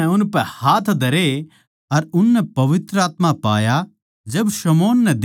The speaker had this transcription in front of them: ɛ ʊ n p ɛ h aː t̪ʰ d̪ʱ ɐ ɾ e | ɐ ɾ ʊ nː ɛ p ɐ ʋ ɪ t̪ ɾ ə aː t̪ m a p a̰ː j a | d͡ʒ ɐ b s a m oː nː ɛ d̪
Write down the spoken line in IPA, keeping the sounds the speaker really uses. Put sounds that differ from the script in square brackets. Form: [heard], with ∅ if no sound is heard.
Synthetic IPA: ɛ ʊ n p ɛ h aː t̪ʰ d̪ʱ ɐ ɾ e | ɐ ɾ ʊ nː ɛ p ɐ ʋ ɪ t̪ ɾ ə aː t̪ m a p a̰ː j a | d͡ʒ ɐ b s [ɐ] m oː nː ɛ d̪